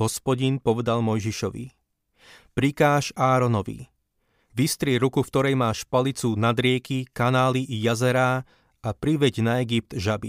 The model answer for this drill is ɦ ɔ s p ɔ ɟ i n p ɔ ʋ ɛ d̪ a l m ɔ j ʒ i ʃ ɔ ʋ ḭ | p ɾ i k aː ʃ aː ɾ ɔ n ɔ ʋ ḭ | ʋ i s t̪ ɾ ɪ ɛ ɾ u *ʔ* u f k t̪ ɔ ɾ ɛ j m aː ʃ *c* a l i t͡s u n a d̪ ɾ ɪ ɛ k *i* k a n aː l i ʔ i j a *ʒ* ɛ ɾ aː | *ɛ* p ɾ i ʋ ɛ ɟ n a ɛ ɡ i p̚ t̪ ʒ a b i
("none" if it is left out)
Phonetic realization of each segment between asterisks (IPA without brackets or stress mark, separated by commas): k, p, i, z, a